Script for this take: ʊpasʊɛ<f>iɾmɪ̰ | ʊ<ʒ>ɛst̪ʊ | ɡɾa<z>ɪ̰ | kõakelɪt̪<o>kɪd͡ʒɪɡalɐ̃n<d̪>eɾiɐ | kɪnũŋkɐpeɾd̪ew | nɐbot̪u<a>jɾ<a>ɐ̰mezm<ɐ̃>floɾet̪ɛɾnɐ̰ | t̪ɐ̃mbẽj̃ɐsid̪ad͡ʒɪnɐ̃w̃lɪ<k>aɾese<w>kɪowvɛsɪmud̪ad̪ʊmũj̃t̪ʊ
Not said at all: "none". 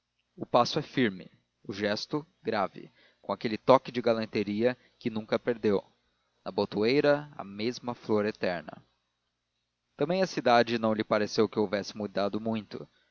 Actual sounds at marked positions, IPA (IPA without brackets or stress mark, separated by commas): f, ʒ, v, ɔ, t̪, e, ɐ, ɐ, p, w